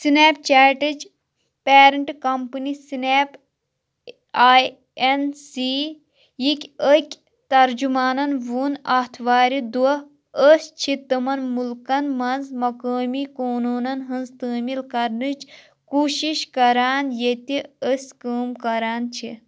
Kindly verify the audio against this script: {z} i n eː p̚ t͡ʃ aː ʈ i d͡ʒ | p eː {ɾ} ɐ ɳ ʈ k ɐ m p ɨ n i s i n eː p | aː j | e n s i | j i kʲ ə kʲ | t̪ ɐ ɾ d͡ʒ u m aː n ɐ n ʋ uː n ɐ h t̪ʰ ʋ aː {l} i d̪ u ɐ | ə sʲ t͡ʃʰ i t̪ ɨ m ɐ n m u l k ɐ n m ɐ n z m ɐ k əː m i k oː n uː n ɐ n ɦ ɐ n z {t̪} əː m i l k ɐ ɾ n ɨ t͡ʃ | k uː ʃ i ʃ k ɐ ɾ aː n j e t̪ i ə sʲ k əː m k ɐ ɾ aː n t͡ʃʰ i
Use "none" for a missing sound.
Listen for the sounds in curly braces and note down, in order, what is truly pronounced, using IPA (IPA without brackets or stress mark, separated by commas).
s, ɾ, ɾ, t̪